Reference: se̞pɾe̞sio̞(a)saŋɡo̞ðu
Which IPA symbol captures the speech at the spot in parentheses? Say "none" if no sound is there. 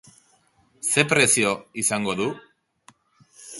i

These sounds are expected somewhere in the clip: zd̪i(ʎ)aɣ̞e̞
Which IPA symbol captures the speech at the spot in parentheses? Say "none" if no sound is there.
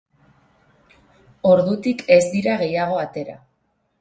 ɾ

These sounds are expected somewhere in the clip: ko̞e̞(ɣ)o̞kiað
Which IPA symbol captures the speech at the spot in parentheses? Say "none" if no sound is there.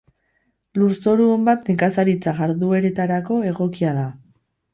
ɣ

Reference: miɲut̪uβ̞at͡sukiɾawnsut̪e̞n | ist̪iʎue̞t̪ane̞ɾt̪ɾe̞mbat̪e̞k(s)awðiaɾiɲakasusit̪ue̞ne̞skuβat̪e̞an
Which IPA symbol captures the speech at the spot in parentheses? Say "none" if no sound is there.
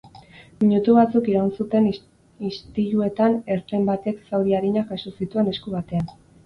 s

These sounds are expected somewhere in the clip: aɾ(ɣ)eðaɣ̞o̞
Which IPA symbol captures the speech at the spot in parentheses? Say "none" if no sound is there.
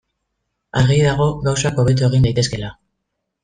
ɣ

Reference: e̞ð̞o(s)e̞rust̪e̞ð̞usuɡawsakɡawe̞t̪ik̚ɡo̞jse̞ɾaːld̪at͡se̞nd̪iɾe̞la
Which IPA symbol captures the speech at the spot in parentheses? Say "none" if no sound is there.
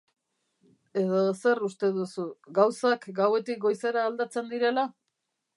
s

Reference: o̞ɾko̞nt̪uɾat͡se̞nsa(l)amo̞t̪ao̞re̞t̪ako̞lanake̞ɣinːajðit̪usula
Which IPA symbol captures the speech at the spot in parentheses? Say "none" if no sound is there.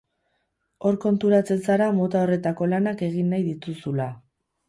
ɾ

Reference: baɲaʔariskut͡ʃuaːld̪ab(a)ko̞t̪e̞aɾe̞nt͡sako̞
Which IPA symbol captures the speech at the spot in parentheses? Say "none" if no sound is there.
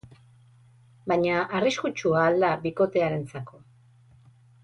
i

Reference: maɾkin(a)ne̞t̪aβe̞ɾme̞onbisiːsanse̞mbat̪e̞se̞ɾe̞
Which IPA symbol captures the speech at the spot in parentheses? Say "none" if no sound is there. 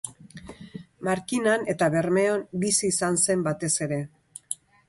a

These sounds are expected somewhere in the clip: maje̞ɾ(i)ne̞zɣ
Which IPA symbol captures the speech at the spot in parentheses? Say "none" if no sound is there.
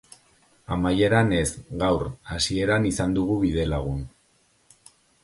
a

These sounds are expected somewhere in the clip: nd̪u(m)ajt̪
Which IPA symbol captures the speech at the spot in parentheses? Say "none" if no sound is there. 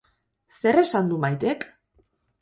m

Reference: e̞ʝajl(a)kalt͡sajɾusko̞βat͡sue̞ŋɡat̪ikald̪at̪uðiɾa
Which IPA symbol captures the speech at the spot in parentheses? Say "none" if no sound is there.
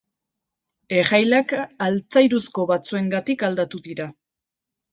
a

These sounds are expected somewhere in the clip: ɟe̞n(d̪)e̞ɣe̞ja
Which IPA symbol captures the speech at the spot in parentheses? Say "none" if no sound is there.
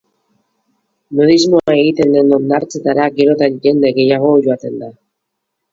d̪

